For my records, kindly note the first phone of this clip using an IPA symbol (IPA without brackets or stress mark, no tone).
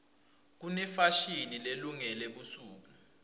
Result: k̬